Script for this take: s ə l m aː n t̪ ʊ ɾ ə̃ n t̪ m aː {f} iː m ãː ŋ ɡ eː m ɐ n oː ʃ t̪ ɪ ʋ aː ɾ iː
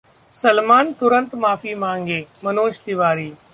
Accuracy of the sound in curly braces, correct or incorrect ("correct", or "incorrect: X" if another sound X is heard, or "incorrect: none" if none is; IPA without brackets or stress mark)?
correct